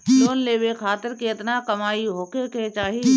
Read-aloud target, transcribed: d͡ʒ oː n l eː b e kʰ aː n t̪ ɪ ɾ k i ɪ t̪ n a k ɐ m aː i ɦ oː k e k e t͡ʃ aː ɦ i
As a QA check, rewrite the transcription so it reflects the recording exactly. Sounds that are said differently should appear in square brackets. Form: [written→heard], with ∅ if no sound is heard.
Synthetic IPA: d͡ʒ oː n l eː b e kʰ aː [n→∅] t̪ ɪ ɾ k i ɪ t̪ n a k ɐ m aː i ɦ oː k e k e t͡ʃ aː ɦ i